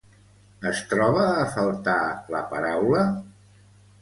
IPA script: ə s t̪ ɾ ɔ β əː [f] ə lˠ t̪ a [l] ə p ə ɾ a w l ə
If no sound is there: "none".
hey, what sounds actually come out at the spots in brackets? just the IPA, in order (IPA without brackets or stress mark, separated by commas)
f, l